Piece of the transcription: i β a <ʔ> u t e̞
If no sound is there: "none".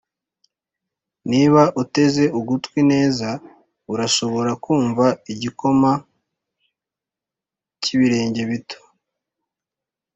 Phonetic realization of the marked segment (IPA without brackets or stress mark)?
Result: ʔ